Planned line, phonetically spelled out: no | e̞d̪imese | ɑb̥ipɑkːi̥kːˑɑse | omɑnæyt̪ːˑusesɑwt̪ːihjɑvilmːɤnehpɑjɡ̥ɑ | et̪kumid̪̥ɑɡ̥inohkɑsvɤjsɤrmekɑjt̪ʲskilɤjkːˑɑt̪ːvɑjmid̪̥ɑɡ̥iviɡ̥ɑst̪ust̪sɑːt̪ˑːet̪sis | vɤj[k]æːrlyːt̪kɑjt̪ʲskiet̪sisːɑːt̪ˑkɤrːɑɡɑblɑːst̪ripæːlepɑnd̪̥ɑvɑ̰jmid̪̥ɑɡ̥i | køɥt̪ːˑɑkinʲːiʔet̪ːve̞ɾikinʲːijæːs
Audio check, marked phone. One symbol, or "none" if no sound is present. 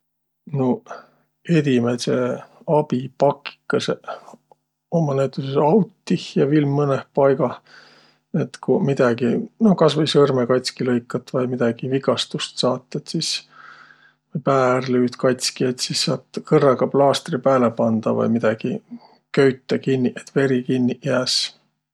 p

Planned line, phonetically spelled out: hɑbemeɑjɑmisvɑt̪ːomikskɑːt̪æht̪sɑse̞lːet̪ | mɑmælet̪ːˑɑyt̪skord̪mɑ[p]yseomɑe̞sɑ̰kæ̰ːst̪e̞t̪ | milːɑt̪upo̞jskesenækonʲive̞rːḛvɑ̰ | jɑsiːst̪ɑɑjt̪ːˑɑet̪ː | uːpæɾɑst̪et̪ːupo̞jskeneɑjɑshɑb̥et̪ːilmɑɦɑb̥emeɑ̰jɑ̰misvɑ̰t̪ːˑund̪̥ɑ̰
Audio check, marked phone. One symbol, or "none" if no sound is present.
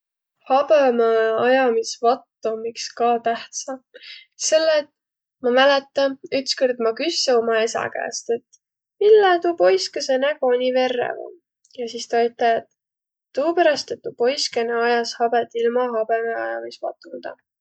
k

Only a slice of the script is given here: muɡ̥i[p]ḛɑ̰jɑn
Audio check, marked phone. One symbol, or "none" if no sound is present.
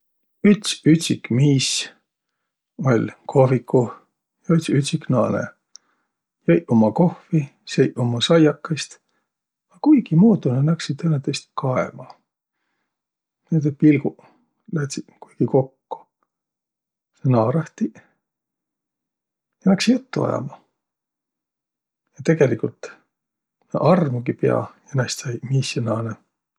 p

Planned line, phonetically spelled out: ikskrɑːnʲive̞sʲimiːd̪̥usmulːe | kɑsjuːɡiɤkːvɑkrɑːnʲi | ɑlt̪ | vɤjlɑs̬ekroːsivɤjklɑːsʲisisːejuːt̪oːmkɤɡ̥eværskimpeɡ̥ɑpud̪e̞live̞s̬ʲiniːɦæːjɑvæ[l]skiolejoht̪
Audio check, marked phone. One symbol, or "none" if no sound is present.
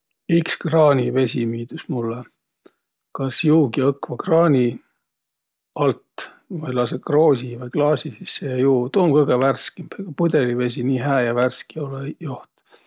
r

